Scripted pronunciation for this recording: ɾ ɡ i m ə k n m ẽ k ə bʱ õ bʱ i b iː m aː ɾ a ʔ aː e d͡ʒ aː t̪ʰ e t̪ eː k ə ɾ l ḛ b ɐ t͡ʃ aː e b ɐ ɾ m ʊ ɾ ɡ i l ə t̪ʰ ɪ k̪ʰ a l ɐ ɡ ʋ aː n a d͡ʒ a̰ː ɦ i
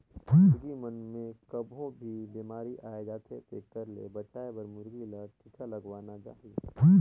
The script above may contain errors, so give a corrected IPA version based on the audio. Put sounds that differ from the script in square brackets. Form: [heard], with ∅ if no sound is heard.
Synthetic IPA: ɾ ɡ i m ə [∅] n m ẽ k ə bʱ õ bʱ i b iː m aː ɾ [i] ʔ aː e d͡ʒ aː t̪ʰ e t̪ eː k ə ɾ l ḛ b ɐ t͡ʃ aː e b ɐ ɾ m ʊ ɾ ɡ i l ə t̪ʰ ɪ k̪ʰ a l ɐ ɡ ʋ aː n a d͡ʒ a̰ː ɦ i